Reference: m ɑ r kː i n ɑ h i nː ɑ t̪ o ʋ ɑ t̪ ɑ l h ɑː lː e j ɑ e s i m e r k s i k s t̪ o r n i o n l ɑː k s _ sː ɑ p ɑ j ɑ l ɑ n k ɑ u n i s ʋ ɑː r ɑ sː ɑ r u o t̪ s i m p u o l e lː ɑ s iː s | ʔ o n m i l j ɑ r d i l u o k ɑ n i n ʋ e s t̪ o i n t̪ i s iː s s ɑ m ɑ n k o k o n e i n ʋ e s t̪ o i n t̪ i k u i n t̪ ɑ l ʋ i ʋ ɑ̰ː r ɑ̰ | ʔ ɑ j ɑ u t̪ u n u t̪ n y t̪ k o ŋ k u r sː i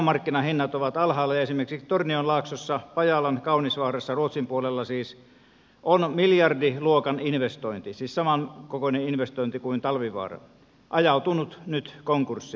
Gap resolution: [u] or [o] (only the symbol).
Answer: o